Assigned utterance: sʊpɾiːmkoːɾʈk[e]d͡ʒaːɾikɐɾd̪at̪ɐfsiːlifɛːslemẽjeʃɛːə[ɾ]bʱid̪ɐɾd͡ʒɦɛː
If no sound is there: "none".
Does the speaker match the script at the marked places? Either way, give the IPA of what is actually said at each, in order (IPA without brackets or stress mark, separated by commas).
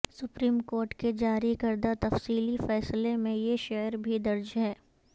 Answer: e, ɾ